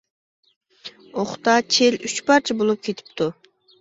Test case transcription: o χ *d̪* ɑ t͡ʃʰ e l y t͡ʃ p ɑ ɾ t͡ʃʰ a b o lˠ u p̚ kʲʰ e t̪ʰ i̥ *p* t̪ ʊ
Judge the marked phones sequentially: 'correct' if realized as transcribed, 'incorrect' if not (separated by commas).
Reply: incorrect, correct